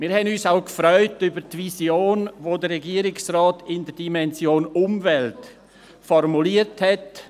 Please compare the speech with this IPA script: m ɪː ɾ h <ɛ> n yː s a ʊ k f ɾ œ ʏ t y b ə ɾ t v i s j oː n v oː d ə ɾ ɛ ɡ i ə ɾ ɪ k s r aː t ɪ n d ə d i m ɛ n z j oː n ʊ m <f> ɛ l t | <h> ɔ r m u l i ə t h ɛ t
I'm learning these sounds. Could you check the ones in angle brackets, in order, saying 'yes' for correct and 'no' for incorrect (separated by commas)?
yes, no, no